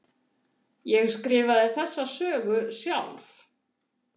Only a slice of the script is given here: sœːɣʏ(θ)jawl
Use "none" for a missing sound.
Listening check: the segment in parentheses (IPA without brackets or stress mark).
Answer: s